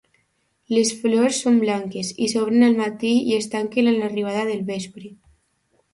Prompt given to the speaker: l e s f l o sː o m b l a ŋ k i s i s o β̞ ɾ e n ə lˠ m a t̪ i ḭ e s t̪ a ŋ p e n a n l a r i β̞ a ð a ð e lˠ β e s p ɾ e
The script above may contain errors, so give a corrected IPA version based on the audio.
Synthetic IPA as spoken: l e s f l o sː o m b l a ŋ k e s i s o β̞ ɾ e n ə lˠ m a t̪ i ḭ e s t̪ a ŋ k e n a n l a r i β̞ a ð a ð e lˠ β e s p ɾ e